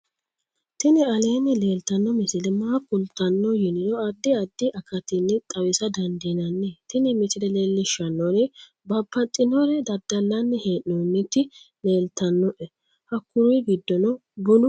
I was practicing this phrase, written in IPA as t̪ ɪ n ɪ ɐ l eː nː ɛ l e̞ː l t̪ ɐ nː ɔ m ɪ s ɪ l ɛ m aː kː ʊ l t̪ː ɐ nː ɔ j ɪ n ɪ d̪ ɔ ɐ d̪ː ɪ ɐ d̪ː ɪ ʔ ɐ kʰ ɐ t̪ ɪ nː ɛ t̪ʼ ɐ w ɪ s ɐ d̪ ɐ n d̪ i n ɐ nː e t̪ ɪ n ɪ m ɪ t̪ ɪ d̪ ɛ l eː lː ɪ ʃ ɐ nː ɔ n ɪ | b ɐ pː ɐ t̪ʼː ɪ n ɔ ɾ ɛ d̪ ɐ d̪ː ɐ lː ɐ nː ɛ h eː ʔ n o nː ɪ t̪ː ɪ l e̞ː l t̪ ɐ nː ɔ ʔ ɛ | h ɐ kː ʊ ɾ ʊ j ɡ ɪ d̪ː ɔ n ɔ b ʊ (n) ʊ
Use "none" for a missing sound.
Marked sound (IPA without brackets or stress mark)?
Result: n